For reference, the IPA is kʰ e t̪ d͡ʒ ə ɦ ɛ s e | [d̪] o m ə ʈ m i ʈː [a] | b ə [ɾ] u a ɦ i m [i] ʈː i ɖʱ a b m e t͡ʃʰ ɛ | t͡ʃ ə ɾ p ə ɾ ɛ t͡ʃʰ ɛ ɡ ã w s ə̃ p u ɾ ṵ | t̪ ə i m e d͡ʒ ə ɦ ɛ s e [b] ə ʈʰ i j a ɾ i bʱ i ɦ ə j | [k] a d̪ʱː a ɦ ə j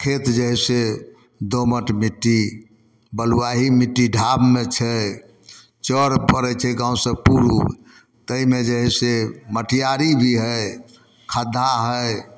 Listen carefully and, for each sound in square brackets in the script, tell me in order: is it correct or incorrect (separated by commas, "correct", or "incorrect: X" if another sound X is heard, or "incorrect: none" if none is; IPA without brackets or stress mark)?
correct, incorrect: i, incorrect: l, correct, incorrect: m, incorrect: kʰ